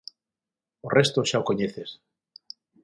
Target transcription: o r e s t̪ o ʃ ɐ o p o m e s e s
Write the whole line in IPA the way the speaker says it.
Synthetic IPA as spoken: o r e s t̪ o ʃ a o k o ɲ e θ e s